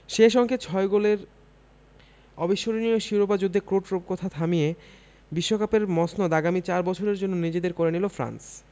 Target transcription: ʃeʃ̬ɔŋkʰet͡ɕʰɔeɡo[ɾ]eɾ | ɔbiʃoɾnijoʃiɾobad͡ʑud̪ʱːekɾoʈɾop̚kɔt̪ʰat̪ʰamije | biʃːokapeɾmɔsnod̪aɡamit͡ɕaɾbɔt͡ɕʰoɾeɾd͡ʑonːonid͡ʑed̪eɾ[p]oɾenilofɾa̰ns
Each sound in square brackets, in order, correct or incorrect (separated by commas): incorrect, incorrect